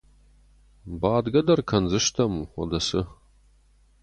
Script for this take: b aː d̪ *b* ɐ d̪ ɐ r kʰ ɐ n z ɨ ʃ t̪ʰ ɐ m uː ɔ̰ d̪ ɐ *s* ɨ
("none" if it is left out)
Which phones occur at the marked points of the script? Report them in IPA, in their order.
ɡ, s

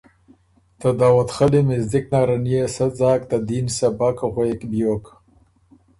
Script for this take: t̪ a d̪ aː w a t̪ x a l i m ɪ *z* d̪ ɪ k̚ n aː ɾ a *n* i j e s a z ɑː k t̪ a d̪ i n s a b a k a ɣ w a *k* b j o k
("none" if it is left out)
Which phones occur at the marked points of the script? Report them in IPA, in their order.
z, n, k

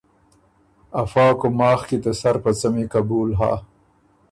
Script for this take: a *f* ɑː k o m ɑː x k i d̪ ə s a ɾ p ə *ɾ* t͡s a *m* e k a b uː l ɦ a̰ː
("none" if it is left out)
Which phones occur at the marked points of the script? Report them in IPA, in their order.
f, none, m

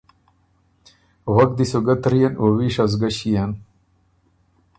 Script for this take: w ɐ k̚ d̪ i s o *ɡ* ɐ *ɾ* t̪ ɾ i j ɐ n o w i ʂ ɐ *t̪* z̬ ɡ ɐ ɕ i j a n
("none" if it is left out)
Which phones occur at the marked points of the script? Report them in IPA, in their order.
ɡ, none, none

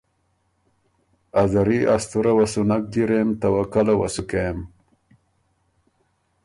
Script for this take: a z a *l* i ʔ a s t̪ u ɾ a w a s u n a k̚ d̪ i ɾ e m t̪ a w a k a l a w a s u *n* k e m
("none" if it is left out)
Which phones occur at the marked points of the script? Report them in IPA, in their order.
ɾ, none

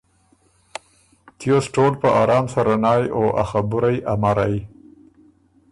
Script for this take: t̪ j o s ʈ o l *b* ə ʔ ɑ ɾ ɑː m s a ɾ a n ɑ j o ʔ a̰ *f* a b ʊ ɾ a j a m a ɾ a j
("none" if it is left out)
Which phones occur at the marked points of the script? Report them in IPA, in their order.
p, x

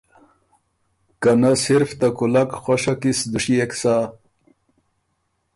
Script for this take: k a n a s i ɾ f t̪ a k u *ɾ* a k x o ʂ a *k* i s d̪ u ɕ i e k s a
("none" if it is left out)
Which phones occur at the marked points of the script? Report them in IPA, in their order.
l, k

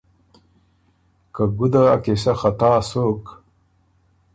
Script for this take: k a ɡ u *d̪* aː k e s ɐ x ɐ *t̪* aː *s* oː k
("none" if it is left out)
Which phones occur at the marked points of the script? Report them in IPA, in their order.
d̪, t̪, s

